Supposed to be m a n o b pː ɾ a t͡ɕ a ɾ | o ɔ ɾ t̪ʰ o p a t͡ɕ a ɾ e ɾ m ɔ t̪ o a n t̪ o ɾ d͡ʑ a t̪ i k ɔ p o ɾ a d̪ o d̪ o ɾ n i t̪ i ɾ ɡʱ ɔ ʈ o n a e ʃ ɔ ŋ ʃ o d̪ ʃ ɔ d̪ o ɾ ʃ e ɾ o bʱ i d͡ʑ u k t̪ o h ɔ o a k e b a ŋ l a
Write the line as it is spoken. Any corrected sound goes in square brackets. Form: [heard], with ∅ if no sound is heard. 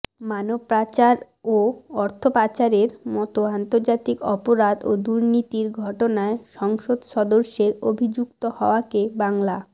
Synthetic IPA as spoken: m a n o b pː ɾ a t͡ɕ a ɾ | o ɔ ɾ t̪ʰ o p a t͡ɕ a ɾ e ɾ m ɔ t̪ o a n t̪ o ɾ d͡ʑ a t̪ i k ɔ p o ɾ a d̪ o d̪ [u] ɾ n i t̪ i ɾ ɡʱ ɔ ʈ o n a e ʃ ɔ ŋ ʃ o d̪ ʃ ɔ d̪ o ɾ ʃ e ɾ o bʱ i d͡ʑ u k t̪ o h ɔ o a k e b a ŋ l a

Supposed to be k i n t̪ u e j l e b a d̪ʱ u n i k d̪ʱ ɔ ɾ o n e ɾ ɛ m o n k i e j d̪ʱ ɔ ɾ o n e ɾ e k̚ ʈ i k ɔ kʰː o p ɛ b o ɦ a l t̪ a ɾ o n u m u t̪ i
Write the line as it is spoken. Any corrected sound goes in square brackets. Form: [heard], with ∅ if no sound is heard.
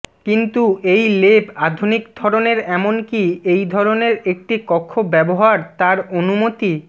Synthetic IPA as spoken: k i n t̪ u e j l e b a d̪ʱ u n i k d̪ʱ ɔ ɾ o n e ɾ ɛ m o n k i e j d̪ʱ ɔ ɾ o n e ɾ e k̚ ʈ i k ɔ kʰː o [b] ɛ b o ɦ a [ɾ] t̪ a ɾ o n u m [o] t̪ i

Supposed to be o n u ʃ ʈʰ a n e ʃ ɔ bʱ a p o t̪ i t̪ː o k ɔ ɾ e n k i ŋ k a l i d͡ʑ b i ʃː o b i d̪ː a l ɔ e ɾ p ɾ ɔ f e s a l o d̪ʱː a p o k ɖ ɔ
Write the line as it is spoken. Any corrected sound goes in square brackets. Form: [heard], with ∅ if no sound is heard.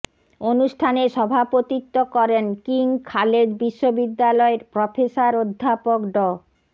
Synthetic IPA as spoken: o n u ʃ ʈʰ a n e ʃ ɔ bʱ a p o t̪ i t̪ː o k ɔ ɾ e n k i ŋ [kʰ] a l [e] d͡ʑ b i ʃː o b i d̪ː a l ɔ e ɾ p ɾ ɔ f e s a [ɾ] o d̪ʱː a p o k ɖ ɔ

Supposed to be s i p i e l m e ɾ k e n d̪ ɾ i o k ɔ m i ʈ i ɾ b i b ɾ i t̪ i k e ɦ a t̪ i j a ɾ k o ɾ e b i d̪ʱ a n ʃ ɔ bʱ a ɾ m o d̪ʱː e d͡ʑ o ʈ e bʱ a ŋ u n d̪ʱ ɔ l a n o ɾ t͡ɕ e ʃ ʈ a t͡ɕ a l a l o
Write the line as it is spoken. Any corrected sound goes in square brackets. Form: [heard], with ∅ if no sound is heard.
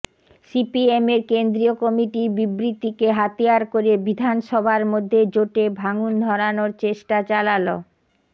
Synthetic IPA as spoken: s i p i e [∅] m e ɾ k e n d̪ ɾ i o k ɔ m i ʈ i ɾ b i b ɾ i t̪ i k e ɦ a t̪ i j a ɾ k o ɾ e b i d̪ʱ a n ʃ ɔ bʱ a ɾ m o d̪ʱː e d͡ʑ o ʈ e bʱ a ŋ u n d̪ʱ ɔ [ɾ] a n o ɾ t͡ɕ e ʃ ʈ a t͡ɕ a l a l o

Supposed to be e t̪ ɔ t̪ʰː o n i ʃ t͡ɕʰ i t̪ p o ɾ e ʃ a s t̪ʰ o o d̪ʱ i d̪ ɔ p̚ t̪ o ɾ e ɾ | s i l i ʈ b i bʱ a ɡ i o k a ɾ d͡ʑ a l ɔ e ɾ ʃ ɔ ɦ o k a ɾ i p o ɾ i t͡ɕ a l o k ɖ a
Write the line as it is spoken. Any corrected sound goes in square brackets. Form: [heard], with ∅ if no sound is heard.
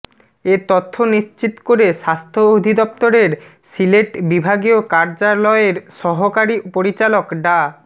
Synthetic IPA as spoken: e t̪ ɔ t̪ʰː o n i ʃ [t͡ɕ] i t̪ [k] o ɾ e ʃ a s t̪ʰ o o d̪ʱ i d̪ ɔ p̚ t̪ o ɾ e ɾ | s i l [e] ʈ b i bʱ a ɡ i o k a ɾ d͡ʑ a l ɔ e ɾ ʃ ɔ ɦ o k a ɾ i p o ɾ i t͡ɕ a l o k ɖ a

